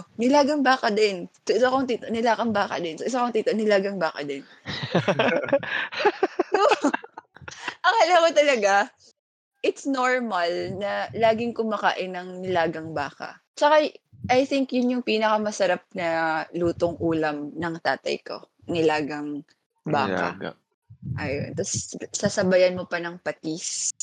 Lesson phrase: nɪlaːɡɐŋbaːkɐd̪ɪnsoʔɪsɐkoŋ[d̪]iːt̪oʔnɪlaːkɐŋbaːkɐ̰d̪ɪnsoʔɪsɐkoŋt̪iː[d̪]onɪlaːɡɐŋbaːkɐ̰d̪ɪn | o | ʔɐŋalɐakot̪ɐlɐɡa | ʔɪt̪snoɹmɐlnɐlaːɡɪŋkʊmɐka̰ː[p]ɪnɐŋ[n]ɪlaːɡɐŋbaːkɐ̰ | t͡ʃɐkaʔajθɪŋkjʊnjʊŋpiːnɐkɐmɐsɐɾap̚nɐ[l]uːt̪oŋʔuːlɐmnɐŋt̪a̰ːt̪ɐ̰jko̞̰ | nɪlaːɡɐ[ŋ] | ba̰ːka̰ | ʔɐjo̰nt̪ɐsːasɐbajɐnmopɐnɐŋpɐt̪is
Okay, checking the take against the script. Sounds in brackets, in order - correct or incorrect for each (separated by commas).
incorrect, incorrect, incorrect, correct, correct, correct